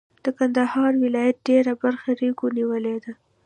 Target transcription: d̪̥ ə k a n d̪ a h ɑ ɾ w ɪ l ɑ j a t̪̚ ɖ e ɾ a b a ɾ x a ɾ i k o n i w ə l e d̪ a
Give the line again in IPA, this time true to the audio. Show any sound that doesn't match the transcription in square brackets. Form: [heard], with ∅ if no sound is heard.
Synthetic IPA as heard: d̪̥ ə k a n d̪ a h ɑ ɾ w ɪ l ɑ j a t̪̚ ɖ e ɾ a b a ɾ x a ɾ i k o n i w ə l e d̪ a